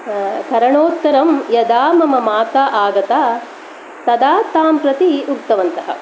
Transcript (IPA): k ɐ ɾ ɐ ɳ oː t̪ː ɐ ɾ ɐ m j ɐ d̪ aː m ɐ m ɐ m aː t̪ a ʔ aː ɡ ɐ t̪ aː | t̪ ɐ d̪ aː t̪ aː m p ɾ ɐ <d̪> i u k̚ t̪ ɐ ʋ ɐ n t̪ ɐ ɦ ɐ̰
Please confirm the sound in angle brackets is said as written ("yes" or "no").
no